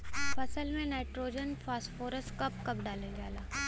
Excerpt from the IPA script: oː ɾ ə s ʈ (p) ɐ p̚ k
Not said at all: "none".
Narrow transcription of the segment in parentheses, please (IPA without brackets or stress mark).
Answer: k